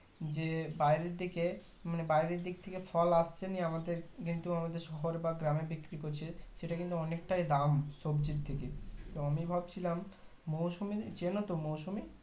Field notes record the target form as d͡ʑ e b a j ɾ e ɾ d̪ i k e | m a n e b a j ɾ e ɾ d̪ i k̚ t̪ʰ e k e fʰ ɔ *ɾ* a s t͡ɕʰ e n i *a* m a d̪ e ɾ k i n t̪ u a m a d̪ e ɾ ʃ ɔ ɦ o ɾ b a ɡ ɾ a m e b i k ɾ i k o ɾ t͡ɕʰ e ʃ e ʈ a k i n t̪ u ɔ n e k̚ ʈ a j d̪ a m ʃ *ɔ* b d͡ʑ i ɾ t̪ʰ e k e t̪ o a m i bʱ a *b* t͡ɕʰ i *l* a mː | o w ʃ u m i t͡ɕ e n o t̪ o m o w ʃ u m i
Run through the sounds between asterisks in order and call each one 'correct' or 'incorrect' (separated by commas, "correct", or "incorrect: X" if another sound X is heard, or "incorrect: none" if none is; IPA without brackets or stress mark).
incorrect: l, correct, incorrect: o, correct, correct